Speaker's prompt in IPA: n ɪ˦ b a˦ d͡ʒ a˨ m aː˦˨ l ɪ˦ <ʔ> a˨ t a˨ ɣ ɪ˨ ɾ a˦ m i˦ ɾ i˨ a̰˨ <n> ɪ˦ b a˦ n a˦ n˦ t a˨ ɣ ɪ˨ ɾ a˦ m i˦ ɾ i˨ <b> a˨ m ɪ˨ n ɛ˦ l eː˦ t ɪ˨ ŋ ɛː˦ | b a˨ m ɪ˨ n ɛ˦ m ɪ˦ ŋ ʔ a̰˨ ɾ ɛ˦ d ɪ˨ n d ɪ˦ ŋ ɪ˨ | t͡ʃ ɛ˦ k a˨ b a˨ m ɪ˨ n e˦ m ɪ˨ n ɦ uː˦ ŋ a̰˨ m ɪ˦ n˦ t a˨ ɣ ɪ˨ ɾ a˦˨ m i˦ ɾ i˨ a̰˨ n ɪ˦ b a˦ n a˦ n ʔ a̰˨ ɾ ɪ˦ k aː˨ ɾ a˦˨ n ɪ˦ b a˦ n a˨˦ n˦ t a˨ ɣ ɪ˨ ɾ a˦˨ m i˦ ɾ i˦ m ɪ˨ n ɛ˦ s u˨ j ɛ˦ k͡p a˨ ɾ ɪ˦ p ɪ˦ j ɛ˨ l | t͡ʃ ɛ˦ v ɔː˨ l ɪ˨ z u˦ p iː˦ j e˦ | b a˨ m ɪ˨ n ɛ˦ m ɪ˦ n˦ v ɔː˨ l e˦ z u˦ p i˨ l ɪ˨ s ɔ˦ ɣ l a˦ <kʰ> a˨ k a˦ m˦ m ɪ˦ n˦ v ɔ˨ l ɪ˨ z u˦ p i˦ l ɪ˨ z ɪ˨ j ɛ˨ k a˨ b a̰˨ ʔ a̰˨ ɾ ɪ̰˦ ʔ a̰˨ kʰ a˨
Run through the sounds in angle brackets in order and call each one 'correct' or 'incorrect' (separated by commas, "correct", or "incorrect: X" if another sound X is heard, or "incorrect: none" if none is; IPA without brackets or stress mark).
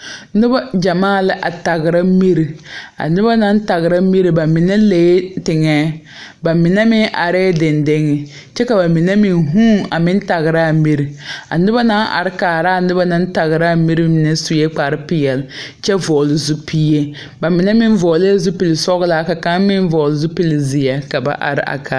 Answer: correct, correct, correct, incorrect: k